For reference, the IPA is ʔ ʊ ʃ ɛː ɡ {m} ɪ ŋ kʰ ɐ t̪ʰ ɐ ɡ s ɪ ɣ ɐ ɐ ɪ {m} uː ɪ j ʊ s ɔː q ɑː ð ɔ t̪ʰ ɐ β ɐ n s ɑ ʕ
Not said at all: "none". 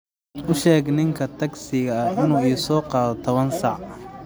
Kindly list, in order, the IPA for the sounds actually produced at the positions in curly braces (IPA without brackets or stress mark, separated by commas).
n, n